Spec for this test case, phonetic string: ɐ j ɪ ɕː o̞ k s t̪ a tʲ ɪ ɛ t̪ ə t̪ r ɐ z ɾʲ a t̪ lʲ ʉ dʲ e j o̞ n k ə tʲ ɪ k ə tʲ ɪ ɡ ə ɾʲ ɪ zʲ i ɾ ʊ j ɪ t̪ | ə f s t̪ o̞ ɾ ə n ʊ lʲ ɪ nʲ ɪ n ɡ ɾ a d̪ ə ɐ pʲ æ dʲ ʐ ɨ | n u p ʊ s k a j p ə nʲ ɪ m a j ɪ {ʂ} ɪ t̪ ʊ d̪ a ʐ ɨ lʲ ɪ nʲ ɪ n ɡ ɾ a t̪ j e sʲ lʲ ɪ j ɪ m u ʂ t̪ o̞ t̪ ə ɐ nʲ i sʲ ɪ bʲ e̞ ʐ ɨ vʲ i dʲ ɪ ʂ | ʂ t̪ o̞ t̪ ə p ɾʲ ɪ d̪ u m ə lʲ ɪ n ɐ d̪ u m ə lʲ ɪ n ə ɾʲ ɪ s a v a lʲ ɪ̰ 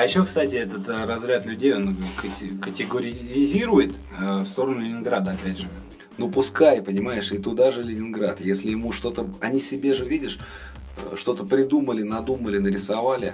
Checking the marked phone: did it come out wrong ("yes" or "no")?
no